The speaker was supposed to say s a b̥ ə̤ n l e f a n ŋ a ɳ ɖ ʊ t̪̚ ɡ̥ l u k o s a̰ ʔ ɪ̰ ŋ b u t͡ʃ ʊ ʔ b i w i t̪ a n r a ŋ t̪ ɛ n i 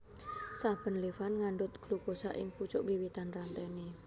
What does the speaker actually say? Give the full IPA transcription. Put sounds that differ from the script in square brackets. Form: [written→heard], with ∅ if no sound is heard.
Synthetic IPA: s a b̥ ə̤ n l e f a n ŋ a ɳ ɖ ʊ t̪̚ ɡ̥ l u k o s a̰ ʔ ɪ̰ ŋ [b→p] u t͡ʃ ʊ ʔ b i w i t̪ a n r a [ŋ→n] t̪ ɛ n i